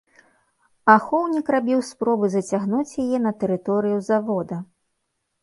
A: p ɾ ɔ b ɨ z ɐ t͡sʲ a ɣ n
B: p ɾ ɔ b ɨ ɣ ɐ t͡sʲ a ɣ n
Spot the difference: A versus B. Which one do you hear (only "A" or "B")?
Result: A